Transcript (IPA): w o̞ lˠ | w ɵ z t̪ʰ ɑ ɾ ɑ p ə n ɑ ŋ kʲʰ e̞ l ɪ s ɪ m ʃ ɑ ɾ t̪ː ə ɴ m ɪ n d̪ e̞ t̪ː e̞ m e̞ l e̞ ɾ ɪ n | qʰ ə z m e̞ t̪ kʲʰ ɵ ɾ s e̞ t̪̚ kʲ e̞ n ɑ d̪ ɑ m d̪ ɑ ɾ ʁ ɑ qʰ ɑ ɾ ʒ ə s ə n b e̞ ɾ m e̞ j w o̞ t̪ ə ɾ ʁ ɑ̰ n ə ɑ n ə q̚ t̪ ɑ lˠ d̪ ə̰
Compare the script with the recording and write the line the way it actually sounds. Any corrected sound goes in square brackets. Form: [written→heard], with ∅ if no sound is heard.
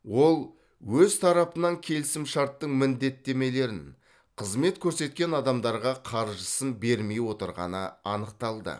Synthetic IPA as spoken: w o̞ lˠ | w ɵ z t̪ʰ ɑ ɾ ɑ p ə n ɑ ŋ kʲʰ e̞ l ɪ s ɪ m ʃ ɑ ɾ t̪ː ə ɴ m ɪ n d̪ e̞ t̪ː e̞ m e̞ l e̞ ɾ ɪ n | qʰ ə z m e̞ t̪ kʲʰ ɵ ɾ s e̞ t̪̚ kʲ e̞ n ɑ d̪ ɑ m d̪ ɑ ɾ ʁ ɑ qʰ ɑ ɾ ʒ ə s ə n b e̞ ɾ m e̞ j w o̞ t̪ ə ɾ ʁ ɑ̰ n ə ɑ n ə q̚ t̪ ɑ lˠ d̪ ə̰